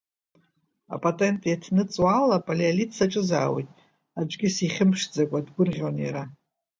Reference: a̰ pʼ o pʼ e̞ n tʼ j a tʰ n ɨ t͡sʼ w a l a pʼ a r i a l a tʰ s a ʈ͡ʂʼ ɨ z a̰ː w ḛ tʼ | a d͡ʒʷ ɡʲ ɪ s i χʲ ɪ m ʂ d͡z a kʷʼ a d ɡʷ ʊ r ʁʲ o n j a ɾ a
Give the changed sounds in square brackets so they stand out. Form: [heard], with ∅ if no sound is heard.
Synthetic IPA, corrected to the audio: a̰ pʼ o [tʼ] e̞ n tʼ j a tʰ n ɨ t͡sʼ w a l a pʼ a [l] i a l [i] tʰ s a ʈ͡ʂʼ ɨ z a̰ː w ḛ tʼ | a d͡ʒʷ ɡʲ ɪ s i χʲ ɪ m ʂ d͡z a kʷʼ a d ɡʷ ʊ r ʁʲ o n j a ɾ a